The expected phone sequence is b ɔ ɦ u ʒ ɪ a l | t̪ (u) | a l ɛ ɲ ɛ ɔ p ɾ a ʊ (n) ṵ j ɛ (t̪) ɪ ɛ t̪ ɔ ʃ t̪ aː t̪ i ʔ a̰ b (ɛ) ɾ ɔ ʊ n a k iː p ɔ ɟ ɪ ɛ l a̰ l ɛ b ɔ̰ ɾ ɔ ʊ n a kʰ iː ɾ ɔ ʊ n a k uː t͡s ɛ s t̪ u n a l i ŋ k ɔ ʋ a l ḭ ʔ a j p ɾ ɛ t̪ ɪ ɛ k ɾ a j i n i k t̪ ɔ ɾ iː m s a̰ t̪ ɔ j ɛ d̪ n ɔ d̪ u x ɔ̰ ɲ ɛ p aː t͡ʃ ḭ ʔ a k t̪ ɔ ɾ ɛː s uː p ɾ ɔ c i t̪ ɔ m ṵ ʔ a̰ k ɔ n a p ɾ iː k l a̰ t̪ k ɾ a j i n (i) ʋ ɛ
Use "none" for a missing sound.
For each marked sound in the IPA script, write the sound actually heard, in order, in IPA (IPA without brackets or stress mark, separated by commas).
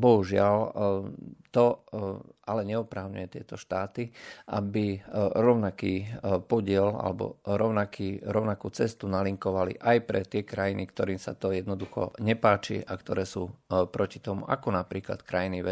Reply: ɔ, ɲ, t̪, i, i